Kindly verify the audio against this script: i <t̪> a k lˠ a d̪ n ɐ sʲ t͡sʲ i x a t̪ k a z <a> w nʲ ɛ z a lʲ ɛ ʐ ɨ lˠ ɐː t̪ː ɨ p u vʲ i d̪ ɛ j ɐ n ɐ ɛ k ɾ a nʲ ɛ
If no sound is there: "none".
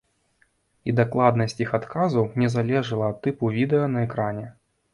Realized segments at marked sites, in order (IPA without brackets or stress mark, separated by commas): d̪, ɐ